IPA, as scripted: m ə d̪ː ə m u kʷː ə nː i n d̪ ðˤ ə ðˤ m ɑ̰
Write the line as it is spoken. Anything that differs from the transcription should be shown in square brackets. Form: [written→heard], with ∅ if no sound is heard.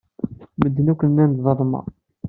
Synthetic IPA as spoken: m ə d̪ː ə [m→n] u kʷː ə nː [i→æ] n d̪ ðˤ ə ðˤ m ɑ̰